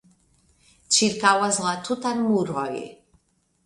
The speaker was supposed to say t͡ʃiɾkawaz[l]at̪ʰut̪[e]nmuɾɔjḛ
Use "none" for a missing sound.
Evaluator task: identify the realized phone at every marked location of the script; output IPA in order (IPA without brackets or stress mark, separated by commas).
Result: l, a